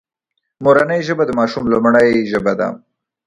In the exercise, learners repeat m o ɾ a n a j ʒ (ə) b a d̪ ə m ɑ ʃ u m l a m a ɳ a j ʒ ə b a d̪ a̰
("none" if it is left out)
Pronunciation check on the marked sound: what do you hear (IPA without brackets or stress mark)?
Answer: ə